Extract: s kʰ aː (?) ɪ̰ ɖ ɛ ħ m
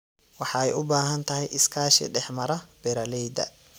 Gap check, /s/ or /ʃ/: ʃ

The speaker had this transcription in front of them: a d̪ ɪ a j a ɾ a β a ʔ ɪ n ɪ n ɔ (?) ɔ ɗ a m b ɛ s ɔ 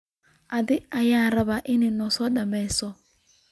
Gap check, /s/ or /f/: s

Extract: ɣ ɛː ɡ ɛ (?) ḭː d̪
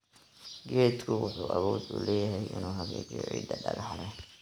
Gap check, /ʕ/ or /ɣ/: ʕ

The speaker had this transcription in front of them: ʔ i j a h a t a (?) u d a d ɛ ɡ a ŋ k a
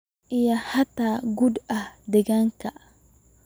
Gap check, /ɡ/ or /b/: ɡ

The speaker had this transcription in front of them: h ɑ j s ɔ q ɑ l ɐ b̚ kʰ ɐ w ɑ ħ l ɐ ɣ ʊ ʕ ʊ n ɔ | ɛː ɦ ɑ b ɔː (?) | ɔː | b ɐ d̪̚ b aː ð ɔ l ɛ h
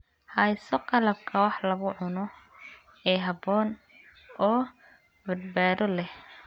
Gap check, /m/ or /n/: n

